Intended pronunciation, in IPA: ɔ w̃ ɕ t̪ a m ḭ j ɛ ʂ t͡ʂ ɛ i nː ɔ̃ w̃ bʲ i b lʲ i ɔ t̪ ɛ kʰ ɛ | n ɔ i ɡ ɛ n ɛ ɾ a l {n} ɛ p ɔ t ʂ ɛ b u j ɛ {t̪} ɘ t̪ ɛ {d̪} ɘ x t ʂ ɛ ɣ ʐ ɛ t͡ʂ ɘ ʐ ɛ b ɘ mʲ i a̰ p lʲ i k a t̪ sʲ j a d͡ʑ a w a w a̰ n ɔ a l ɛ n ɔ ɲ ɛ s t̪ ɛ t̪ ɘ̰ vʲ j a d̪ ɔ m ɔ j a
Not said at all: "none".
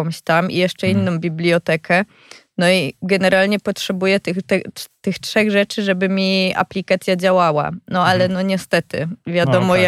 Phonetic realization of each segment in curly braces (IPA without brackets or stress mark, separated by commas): ɲ, t̪, t̪